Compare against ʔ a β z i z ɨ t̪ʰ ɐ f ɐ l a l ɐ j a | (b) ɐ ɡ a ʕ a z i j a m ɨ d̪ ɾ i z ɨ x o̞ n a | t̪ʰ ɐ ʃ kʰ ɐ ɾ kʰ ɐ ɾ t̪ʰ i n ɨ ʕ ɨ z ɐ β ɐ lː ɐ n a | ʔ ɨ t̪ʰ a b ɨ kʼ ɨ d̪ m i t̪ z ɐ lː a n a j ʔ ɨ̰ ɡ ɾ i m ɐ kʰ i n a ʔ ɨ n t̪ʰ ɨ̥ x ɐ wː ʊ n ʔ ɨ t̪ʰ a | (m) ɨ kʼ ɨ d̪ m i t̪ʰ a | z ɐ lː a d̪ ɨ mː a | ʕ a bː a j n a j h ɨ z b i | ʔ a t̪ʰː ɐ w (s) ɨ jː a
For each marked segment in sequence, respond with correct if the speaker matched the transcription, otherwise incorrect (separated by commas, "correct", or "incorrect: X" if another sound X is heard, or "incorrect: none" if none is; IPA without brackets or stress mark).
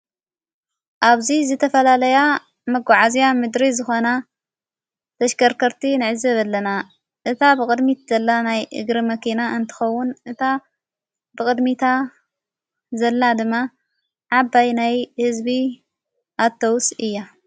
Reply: incorrect: m, incorrect: b, correct